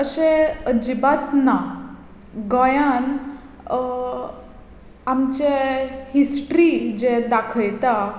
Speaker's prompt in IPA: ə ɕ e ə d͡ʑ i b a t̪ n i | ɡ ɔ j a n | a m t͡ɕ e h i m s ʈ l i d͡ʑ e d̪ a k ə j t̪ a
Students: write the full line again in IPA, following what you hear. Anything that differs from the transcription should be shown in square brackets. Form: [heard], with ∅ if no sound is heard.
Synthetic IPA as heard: ə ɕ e ə d͡ʑ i b a t̪ n [a] | ɡ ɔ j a n | a m t͡ɕ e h i [∅] s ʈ [ɾ] i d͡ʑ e d̪ a [kʰ] ə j t̪ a